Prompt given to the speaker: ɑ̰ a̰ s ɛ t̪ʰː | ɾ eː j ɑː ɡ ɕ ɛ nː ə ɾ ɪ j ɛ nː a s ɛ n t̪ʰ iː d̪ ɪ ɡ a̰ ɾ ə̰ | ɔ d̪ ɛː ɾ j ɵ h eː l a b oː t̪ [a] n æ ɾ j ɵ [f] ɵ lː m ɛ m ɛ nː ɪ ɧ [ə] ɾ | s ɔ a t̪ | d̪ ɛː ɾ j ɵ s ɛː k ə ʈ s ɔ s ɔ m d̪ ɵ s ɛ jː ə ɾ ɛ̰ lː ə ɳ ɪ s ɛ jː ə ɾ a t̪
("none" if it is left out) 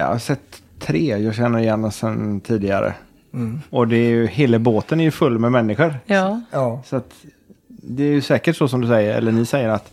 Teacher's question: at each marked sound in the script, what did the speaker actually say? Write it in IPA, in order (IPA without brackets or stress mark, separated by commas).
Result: ə, f, ə